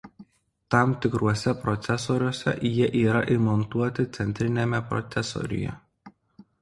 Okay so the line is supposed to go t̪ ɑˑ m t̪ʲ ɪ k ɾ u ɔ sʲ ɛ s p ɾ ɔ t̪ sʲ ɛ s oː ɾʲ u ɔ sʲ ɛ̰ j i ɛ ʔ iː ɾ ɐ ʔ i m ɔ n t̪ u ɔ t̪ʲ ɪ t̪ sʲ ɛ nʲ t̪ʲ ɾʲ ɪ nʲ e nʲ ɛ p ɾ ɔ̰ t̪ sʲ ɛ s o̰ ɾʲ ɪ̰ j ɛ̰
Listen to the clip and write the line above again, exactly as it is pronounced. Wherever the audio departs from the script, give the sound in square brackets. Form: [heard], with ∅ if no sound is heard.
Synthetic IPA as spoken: t̪ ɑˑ m t̪ʲ ɪ k ɾ u ɔ sʲ ɛ [∅] p ɾ ɔ t̪ sʲ ɛ s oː ɾʲ u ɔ sʲ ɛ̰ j i ɛ ʔ iː ɾ ɐ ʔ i m ɔ n t̪ u ɔ t̪ʲ ɪ t̪ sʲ ɛ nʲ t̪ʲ ɾʲ ɪ nʲ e [mʲ] ɛ p ɾ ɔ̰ t̪ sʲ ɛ s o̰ ɾʲ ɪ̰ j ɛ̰